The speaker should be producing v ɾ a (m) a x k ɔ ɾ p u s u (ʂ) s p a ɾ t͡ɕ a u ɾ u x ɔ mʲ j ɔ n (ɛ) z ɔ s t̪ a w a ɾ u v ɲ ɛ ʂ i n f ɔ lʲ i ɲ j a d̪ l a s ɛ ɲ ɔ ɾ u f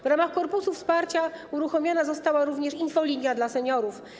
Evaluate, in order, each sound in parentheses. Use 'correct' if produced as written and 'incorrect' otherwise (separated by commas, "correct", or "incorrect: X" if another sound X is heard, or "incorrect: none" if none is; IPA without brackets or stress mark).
correct, incorrect: f, incorrect: a